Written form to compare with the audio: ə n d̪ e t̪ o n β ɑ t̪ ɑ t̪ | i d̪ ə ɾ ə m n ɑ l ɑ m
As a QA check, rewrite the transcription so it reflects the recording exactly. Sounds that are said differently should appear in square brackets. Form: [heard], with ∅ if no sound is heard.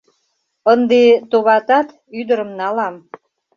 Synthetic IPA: ə n d̪ e t̪ o [∅] β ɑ t̪ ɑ t̪ | [y] d̪ ə ɾ ə m n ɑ l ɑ m